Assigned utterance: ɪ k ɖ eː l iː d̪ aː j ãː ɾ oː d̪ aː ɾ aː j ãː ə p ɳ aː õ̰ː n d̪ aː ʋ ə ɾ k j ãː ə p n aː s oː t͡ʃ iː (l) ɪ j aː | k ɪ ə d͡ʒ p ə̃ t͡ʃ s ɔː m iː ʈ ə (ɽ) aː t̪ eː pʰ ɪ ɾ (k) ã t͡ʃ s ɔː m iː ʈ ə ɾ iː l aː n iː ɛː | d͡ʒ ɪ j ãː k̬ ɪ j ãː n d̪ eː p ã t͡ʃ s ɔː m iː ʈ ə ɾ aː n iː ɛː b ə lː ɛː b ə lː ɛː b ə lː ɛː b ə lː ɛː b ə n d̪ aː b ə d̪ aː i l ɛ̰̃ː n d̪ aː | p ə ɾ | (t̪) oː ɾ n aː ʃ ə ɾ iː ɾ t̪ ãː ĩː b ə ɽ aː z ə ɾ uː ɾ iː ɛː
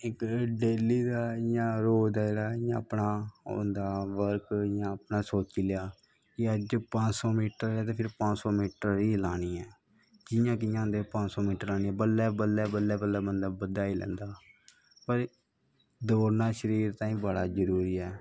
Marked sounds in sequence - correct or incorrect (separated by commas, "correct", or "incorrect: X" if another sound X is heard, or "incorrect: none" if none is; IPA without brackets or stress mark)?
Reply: correct, incorrect: ɾ, incorrect: p, incorrect: d̪